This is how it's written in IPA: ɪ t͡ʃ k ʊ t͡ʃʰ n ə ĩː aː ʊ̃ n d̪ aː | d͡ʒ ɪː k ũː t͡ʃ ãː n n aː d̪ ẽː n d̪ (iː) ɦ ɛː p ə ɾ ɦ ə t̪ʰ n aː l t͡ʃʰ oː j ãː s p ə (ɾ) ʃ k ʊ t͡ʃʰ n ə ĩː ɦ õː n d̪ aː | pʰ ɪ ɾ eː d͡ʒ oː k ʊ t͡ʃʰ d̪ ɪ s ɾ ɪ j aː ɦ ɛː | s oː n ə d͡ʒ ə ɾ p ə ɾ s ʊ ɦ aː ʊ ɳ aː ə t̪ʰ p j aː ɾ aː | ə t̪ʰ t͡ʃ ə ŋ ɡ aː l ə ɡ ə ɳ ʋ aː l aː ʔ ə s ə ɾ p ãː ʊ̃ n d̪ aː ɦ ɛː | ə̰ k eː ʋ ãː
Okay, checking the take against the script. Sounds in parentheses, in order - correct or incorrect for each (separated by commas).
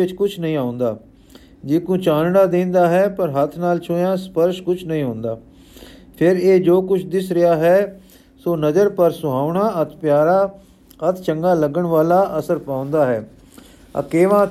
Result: incorrect, correct